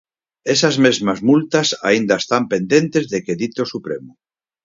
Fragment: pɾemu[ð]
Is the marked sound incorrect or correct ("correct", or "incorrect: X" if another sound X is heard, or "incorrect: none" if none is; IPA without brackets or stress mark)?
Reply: incorrect: none